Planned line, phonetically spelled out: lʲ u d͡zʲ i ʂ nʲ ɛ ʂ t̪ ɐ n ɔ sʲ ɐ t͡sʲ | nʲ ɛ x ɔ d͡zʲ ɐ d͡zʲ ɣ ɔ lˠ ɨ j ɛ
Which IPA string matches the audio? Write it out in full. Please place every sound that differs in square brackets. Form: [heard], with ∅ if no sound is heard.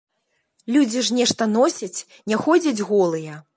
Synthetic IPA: lʲ u d͡zʲ i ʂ nʲ ɛ ʂ t̪ ɐ n ɔ sʲ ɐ t͡sʲ | nʲ ɛ x ɔ d͡zʲ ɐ d͡zʲ ɣ ɔ lˠ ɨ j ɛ

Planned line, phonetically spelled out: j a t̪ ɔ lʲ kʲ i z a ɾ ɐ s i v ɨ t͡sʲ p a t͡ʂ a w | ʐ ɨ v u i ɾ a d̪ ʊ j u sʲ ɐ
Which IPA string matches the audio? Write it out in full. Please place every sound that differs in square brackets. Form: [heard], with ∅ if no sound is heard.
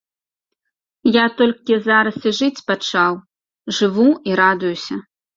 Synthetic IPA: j a t̪ ɔ lʲ kʲ i z a ɾ ɐ s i [ʐ] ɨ t͡sʲ p a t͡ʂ a w | ʐ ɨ v u i ɾ a d̪ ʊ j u sʲ ɐ

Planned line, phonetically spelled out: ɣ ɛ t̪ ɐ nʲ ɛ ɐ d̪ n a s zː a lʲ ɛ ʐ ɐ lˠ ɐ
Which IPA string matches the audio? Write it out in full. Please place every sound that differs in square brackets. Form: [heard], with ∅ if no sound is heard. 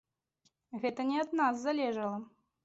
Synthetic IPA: ɣ ɛ t̪ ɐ nʲ ɛ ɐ d̪ n a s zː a lʲ ɛ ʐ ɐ lˠ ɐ

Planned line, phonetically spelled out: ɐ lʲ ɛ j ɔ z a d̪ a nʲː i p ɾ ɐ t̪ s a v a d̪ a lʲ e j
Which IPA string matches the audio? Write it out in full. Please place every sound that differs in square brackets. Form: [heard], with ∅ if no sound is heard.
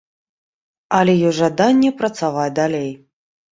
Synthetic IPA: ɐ lʲ ɛ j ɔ [ʐ] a d̪ a nʲː [ɛ] p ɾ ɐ t̪ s a v a d̪ a lʲ e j

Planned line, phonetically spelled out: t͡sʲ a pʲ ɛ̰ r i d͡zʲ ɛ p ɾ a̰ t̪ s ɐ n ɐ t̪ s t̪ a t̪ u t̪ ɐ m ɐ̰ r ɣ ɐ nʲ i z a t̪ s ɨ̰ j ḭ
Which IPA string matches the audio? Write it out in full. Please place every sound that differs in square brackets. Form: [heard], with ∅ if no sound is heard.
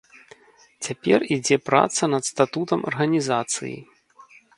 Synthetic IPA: t͡sʲ a pʲ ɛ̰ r i d͡zʲ ɛ p ɾ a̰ t̪ s ɐ n ɐ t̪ s t̪ a t̪ u t̪ ɐ m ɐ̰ r ɣ ɐ nʲ i z a t̪ s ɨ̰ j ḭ

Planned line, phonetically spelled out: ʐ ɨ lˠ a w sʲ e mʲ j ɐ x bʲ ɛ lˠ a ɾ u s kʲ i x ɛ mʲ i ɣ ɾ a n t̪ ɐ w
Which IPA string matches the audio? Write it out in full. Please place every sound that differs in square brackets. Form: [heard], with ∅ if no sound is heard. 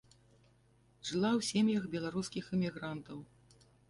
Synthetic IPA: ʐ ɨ lˠ a w sʲ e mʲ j ɐ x bʲ ɛ lˠ a ɾ u s kʲ i x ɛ mʲ i ɣ ɾ a n t̪ ɐ w

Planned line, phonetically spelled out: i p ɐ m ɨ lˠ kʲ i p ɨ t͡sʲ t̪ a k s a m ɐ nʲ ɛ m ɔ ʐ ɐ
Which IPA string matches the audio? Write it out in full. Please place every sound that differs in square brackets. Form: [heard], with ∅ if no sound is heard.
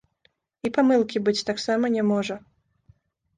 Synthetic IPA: i p [a] m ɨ lˠ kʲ i [b] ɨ t͡sʲ t̪ a k s a m ɐ nʲ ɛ m ɔ ʐ ɐ

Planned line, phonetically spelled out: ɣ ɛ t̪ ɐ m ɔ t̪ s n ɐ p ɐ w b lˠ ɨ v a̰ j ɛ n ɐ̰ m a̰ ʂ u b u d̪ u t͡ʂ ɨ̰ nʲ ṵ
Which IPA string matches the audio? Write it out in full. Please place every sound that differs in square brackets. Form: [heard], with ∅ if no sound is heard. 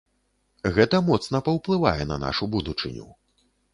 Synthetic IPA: ɣ ɛ t̪ ɐ m ɔ t̪ s n ɐ p ɐ w [p] lˠ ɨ v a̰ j ɛ n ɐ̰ [n] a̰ ʂ u b u d̪ u t͡ʂ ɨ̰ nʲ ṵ

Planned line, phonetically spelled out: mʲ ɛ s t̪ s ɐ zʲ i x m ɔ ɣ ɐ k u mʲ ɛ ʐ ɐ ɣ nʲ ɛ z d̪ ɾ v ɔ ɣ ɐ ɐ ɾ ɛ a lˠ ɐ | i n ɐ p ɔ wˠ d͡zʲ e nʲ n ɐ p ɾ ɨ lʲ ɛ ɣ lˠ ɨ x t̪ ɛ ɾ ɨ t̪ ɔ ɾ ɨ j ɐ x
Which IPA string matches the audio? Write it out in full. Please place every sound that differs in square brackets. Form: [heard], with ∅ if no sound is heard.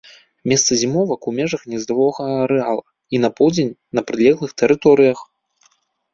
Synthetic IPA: mʲ ɛ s t̪ s ɐ zʲ i [∅] m ɔ [v] ɐ k u mʲ ɛ ʐ ɐ [x] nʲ ɛ z d̪ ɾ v ɔ ɣ ɐ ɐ ɾ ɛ a lˠ ɐ | i n ɐ p ɔ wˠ d͡zʲ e nʲ n ɐ p ɾ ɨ lʲ ɛ ɣ lˠ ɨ x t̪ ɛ ɾ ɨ t̪ ɔ ɾ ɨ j ɐ x

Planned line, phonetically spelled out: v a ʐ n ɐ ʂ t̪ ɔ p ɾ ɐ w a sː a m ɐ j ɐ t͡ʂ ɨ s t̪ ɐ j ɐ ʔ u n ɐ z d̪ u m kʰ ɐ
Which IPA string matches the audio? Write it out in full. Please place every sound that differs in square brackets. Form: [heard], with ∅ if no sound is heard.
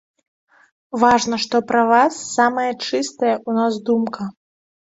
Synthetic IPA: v a ʐ n ɐ ʂ t̪ ɔ p ɾ ɐ [v] a sː a m ɐ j ɐ t͡ʂ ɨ s t̪ ɐ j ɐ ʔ u n [a] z d̪ u m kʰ ɐ

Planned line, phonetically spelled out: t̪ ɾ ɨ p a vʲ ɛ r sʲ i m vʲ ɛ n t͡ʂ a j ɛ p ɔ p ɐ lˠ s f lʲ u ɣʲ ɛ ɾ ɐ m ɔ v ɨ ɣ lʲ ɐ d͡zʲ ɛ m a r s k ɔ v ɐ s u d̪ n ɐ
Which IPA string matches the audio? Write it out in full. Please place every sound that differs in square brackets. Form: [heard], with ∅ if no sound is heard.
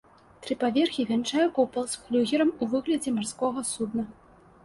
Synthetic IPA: t̪ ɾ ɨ p a vʲ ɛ r [xʲ] i [∅] vʲ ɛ n t͡ʂ a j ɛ [k] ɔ p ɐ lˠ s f lʲ u ɣʲ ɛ ɾ ɐ m [u] v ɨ ɣ lʲ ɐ d͡zʲ ɛ m a r s k ɔ [ɣ] ɐ s u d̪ n ɐ

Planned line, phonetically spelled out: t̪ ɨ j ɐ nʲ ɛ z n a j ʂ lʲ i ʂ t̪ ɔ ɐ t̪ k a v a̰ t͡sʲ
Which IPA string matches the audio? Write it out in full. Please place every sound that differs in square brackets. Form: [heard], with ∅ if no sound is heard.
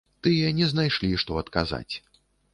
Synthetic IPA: t̪ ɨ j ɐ nʲ ɛ z n a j ʂ lʲ i ʂ t̪ ɔ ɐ t̪ k a [z] a̰ t͡sʲ

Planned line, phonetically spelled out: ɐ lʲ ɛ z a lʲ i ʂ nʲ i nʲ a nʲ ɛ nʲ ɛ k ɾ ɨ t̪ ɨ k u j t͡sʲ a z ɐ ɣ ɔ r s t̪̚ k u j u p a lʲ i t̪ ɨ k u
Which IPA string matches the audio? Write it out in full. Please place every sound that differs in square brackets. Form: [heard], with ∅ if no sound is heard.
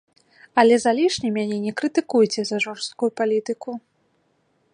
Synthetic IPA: ɐ lʲ ɛ z a lʲ i ʂ nʲ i [mʲ] a nʲ ɛ nʲ ɛ k ɾ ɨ t̪ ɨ k u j t͡sʲ [ɛ] z ɐ [ʐ] ɔ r s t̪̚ k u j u p a lʲ i t̪ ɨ k u

